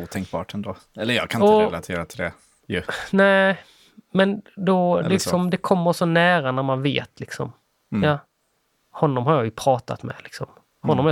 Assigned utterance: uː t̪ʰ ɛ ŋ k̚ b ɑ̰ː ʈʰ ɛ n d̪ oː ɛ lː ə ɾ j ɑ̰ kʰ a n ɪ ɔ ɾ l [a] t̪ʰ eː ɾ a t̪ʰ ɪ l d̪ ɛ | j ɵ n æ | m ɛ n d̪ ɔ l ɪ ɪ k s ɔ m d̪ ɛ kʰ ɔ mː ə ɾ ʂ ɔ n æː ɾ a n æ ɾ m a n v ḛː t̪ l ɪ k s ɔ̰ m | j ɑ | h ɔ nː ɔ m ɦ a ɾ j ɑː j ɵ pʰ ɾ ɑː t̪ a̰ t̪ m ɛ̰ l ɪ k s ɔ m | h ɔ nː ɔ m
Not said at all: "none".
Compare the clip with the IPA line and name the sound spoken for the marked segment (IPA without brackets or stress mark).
a